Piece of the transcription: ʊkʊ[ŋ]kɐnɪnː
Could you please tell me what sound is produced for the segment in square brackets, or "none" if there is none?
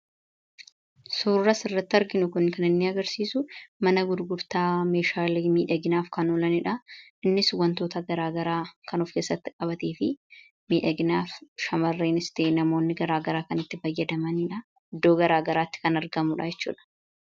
n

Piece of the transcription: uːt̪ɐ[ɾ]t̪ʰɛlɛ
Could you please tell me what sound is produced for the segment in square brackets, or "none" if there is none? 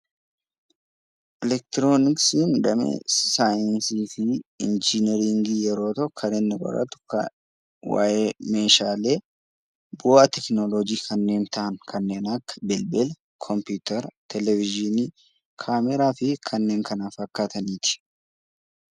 ɾ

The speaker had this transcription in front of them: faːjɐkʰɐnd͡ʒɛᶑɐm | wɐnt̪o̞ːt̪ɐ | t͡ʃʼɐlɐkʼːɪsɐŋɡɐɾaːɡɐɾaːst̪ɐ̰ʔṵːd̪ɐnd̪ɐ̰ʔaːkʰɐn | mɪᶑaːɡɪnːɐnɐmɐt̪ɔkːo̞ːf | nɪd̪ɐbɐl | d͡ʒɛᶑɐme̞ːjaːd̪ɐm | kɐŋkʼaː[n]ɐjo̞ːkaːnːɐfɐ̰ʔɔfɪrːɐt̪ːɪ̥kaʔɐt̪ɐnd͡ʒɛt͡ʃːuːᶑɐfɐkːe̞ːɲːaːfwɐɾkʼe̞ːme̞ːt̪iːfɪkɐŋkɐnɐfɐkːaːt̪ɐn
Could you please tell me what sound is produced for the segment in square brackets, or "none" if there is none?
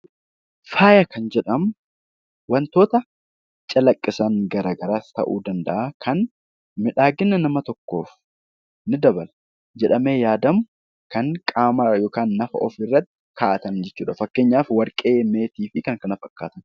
m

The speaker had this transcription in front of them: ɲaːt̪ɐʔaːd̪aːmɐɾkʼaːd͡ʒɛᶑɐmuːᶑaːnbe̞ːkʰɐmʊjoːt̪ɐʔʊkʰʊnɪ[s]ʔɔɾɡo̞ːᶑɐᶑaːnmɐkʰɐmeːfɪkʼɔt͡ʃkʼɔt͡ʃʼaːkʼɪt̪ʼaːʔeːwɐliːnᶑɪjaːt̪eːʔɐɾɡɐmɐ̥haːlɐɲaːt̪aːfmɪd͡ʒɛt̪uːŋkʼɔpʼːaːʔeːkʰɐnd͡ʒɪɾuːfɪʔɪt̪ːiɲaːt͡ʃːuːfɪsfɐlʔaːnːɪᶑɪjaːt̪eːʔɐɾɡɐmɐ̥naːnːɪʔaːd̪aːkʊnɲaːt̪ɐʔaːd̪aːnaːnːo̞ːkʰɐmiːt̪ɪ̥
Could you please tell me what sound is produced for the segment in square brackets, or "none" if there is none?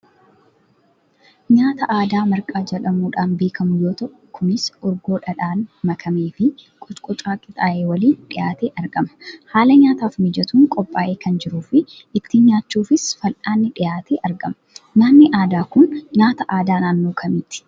s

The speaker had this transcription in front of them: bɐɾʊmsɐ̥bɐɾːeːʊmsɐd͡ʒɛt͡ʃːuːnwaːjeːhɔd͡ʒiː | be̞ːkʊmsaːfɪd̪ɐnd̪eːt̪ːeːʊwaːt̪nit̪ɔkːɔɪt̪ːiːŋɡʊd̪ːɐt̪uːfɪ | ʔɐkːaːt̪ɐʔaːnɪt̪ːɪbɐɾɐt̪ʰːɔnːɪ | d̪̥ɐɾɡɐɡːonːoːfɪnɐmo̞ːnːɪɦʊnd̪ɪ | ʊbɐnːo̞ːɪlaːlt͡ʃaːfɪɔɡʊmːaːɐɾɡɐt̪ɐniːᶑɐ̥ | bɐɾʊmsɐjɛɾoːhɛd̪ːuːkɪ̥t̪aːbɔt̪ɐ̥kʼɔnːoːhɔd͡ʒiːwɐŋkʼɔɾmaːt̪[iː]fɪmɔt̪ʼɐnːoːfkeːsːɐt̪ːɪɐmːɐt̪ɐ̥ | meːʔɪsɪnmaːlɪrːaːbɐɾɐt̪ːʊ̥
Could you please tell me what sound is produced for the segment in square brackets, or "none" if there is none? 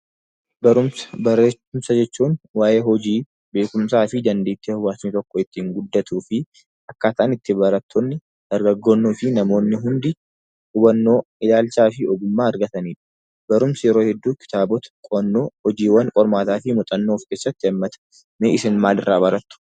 aː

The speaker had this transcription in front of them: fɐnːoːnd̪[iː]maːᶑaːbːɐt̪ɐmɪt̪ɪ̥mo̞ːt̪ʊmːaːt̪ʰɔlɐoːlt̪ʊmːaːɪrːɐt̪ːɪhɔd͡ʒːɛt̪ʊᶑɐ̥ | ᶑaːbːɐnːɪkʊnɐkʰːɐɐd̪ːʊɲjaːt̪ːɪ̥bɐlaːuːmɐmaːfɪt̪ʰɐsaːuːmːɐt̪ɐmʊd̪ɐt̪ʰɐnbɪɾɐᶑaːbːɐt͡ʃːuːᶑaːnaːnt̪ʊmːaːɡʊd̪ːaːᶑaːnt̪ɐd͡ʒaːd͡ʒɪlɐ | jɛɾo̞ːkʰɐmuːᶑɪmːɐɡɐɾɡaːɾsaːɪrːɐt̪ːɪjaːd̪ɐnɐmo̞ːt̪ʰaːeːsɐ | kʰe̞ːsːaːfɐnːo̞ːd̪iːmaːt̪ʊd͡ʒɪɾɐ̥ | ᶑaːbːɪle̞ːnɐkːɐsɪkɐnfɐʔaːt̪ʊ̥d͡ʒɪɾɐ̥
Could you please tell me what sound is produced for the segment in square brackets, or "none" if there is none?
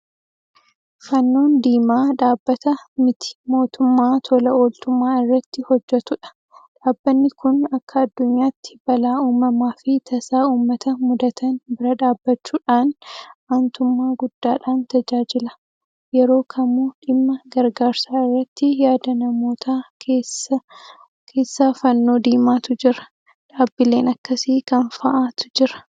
iː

